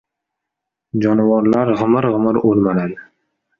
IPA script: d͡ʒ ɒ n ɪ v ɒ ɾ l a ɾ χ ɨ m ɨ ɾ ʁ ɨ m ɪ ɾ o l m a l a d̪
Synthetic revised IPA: d͡ʒ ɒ n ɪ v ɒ ɾ l a ɾ ʁ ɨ m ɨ ɾ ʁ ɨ m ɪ ɾ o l m a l a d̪